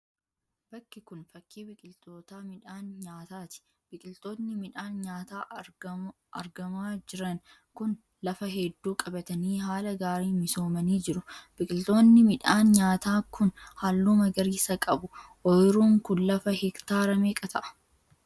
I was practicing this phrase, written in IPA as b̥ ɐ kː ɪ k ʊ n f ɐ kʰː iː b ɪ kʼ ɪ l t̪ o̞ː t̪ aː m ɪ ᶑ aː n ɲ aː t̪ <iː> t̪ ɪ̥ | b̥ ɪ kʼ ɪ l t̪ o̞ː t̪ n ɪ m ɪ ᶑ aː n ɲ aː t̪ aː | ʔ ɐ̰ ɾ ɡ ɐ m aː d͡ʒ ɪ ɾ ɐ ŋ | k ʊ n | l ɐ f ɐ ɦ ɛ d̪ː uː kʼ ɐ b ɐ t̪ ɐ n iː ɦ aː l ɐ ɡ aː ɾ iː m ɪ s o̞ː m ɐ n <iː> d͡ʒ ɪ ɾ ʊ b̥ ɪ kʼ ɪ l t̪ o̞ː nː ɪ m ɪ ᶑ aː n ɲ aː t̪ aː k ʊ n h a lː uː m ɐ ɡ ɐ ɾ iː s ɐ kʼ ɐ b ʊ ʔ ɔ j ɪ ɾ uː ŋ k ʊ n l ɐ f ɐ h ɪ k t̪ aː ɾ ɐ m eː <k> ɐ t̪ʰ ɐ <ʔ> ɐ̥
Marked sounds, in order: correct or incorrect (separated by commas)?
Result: incorrect, correct, incorrect, correct